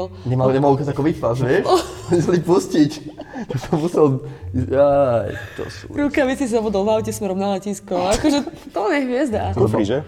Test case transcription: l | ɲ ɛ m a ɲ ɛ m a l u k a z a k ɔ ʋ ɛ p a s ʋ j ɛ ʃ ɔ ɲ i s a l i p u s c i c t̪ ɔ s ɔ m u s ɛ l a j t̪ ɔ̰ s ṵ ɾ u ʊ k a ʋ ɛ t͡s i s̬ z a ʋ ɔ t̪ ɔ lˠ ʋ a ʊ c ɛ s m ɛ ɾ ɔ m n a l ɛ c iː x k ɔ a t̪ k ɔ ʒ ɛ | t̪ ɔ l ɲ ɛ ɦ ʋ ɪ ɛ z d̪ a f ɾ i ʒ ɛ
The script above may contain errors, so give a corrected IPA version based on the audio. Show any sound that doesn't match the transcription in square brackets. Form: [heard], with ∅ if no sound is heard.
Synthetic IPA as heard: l | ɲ ɛ m a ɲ ɛ m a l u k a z a k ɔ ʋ [i] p a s ʋ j ɛ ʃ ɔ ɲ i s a l i p u s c i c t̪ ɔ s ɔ m u s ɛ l a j t̪ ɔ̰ s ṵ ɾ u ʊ k a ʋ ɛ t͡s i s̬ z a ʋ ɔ [d̪] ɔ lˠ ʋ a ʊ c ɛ s m ɛ ɾ ɔ m n a l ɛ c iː [s] k ɔ a [∅] k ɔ ʒ ɛ | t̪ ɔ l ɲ ɛ ɦ ʋ ɪ ɛ z d̪ a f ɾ i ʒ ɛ